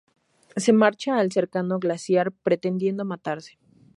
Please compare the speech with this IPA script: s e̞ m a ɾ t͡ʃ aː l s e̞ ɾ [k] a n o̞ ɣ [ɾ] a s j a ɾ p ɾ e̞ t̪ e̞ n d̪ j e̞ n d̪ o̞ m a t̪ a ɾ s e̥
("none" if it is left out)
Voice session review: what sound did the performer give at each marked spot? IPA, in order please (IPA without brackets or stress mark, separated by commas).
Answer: k, l